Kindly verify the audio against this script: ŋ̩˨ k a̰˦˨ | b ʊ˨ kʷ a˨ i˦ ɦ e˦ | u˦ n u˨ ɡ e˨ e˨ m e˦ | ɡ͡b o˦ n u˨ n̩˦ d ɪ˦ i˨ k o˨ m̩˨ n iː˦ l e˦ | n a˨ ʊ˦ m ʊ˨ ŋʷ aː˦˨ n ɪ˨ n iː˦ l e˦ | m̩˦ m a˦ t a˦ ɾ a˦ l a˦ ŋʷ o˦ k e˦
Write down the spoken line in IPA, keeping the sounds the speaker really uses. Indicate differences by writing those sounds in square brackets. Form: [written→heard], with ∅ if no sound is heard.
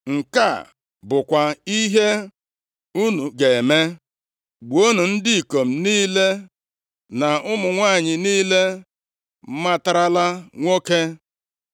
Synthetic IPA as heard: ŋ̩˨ k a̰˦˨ | b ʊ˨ kʷ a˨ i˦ ɦ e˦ | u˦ n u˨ ɡ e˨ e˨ m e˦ | ɡ͡b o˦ n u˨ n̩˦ d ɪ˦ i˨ k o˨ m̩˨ n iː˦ l e˦ | n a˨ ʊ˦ m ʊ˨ ŋʷ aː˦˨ [n→ɲ] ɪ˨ n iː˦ l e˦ | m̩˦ m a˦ t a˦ ɾ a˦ l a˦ ŋʷ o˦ k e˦